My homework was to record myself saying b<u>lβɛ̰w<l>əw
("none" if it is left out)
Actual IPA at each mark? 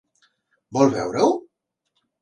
ɔ, ɾ

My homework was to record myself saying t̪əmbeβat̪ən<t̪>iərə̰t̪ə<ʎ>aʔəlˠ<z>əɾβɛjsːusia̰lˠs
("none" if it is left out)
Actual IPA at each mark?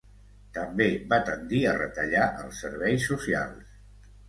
d̪, ʎ, s

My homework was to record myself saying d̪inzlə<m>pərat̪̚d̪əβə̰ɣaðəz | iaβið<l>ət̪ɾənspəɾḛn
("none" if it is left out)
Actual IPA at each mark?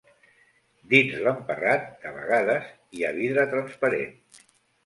m, ɾ

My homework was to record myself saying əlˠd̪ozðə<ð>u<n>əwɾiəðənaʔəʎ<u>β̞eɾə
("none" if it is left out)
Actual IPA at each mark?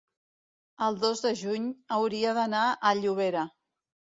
ʒ, ɲ, u

